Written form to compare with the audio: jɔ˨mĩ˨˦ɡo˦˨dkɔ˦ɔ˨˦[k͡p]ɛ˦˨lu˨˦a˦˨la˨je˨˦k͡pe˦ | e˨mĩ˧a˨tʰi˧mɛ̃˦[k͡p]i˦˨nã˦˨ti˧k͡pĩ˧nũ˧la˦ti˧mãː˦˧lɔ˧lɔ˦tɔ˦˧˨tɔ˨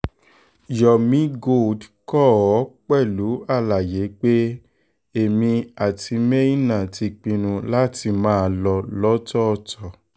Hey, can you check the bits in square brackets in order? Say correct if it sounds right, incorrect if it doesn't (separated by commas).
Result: correct, incorrect